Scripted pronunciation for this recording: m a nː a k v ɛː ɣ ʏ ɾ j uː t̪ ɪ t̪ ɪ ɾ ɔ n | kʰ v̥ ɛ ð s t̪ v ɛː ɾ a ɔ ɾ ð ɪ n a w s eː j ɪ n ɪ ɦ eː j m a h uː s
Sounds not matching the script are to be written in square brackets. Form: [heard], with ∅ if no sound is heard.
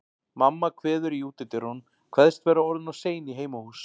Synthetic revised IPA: m a [mː] a [kʰ] v ɛː [ð] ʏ ɾ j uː t̪ ɪ t̪ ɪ ɾ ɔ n | kʰ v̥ ɛ ð s t̪ v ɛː ɾ a ɔ ɾ ð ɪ n a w s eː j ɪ n [i] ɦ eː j m a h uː s